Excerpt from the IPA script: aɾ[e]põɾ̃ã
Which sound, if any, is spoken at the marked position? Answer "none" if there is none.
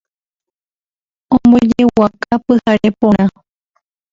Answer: e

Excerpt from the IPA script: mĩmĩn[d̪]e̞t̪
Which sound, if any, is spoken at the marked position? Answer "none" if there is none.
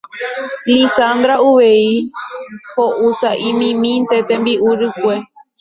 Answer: t̪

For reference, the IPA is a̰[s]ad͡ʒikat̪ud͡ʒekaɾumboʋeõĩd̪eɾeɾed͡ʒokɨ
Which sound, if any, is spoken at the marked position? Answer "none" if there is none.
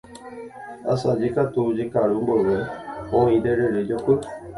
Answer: s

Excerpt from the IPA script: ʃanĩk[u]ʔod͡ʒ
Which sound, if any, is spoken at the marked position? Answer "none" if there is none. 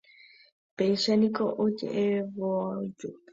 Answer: o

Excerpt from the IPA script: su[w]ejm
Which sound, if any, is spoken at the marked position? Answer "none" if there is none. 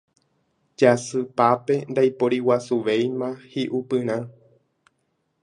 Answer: ʋ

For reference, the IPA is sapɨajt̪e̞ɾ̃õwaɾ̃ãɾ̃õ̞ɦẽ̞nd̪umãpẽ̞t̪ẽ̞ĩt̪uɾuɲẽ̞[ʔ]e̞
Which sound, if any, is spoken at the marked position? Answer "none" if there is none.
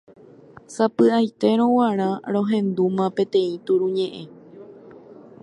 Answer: ʔ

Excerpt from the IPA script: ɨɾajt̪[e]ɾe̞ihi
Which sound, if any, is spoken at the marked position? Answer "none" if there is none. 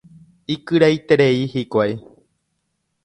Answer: e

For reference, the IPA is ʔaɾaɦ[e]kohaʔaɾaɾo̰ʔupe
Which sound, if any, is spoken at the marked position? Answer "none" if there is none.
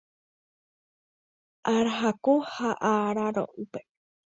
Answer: a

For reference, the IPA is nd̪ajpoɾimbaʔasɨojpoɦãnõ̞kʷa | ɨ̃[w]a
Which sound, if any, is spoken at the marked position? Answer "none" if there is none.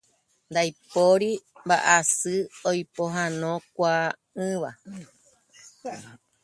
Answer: ʋ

